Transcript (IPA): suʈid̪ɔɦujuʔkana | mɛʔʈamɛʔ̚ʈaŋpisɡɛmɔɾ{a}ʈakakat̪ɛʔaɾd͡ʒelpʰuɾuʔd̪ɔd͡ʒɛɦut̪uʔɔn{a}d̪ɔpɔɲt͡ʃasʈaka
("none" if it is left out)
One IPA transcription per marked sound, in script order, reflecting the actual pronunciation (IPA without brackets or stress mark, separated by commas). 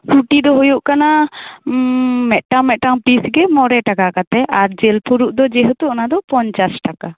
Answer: ɛ, a